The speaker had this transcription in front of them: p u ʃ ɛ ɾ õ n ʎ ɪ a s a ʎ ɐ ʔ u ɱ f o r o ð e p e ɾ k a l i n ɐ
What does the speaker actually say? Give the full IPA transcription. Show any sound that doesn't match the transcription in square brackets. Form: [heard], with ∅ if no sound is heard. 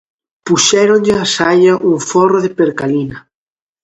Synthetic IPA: p u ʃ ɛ ɾ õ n ʎ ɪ a s a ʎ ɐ ʔ u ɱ f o r o ð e p e ɾ k a l i n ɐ

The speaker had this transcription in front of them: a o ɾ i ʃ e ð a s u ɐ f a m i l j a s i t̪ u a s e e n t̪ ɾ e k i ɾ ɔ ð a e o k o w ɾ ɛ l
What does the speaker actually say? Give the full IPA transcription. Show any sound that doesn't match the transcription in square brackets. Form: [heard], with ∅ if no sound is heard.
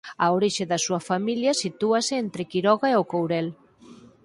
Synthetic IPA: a o ɾ i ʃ e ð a s u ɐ f a m i l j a s i t̪ u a s e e n t̪ ɾ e k i ɾ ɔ [ɣ] a e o k o w ɾ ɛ l

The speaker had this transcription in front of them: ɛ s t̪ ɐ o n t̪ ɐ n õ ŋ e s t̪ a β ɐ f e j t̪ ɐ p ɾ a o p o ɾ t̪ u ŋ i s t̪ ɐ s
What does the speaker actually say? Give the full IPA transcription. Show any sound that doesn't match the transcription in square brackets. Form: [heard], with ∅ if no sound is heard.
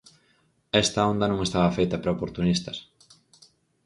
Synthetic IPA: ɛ s t̪ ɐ o n [d̪] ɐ n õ ŋ e s t̪ a β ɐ f e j t̪ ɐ p ɾ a o p o ɾ t̪ u [n] i s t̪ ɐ s

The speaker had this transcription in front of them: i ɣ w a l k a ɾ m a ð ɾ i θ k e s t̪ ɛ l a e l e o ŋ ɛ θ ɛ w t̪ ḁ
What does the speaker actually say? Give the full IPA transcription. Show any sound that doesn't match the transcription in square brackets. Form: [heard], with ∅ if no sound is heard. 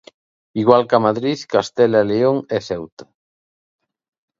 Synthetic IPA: i ɣ w a l k a [∅] m a ð ɾ i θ k [a] s t̪ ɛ l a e l e o ŋ ɛ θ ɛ w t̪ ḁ

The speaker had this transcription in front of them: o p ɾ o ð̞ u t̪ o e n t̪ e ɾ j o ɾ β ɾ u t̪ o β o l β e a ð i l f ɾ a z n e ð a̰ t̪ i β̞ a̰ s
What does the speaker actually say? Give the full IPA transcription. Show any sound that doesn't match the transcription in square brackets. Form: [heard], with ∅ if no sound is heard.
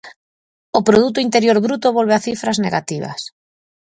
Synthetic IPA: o p ɾ o ð̞ u t̪ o [i] n t̪ e ɾ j o ɾ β ɾ u t̪ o β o l β e a [θ] i [∅] f ɾ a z n e [ɣ] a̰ t̪ i β̞ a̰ s

